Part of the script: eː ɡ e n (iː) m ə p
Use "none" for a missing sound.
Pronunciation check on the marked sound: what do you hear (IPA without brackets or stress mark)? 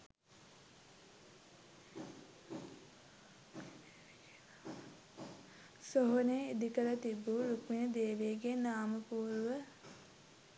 aː